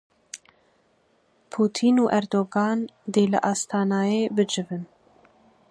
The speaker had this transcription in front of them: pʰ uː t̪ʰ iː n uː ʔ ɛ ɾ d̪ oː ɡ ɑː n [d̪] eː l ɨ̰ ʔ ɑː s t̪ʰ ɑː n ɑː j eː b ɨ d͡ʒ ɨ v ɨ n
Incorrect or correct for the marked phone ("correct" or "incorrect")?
correct